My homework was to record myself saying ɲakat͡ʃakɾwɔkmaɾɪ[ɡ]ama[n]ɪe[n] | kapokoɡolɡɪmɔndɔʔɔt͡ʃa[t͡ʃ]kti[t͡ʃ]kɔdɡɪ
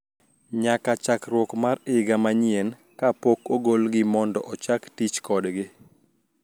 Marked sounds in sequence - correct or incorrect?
correct, incorrect: ɲ, correct, incorrect: none, correct

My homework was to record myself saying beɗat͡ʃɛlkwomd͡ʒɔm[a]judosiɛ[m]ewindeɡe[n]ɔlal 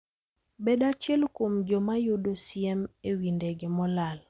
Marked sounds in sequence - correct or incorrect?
correct, correct, incorrect: m

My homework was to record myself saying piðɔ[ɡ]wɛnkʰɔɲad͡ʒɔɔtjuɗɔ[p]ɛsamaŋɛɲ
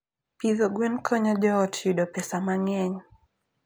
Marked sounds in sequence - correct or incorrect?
correct, correct

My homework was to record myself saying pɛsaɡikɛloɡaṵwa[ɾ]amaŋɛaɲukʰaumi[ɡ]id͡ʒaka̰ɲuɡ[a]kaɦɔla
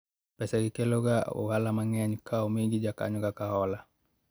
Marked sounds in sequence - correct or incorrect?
incorrect: l, correct, correct

